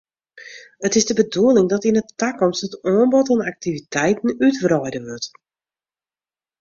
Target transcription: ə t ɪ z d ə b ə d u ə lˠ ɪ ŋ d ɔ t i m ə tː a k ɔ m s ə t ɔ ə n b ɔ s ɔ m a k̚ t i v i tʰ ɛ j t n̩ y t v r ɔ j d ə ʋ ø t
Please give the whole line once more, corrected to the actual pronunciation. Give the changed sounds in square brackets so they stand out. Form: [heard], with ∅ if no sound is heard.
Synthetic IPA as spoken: ə t ɪ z d ə b ə d u ə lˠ ɪ ŋ d ɔ t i [n] ə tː a k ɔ m s ə t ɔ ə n b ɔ [t] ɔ [n] a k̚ t i v i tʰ ɛ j t n̩ y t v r ɔ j d ə ʋ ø t